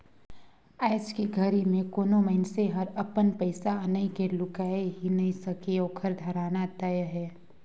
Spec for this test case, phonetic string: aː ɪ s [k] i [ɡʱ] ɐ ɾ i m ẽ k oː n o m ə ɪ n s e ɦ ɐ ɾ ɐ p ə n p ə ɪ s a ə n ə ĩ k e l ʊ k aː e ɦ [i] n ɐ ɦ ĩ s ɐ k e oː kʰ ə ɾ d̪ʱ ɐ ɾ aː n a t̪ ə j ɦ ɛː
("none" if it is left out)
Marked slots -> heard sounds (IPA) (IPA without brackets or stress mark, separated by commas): k, ɡʱ, i